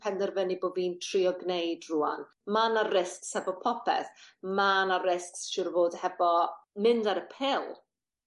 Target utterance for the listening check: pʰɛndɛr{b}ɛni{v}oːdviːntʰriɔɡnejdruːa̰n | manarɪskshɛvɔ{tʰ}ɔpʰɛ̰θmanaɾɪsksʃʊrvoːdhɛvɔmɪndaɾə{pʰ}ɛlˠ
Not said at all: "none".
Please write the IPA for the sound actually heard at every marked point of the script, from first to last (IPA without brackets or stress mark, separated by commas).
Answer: v, b, pʰ, pʰ